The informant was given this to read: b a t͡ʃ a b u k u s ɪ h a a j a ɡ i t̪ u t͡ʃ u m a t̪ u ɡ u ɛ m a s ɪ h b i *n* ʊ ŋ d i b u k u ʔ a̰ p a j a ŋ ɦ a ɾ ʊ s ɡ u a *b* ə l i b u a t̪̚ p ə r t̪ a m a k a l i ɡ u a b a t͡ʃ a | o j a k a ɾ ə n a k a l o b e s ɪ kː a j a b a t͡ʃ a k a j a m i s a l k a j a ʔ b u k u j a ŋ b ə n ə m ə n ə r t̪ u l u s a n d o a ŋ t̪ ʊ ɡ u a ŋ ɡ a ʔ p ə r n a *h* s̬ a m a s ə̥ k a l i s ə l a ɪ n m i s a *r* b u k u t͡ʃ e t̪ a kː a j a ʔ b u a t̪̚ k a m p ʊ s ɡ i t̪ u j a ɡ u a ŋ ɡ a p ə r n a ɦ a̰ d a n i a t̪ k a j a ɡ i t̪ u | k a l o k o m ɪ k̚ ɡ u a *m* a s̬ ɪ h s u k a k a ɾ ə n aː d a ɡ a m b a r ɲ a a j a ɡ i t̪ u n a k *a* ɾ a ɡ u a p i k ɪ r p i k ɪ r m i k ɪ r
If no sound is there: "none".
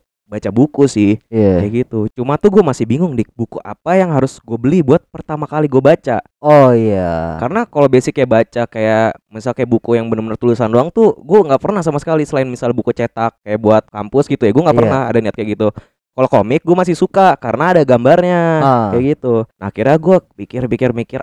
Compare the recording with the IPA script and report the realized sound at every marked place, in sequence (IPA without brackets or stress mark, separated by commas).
ŋ, b, h, l, m, i